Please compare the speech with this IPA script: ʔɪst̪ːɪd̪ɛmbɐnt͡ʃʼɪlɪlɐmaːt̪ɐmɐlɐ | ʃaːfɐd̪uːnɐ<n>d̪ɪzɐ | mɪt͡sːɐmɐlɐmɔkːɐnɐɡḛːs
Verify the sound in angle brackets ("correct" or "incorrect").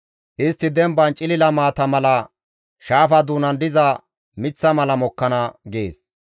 correct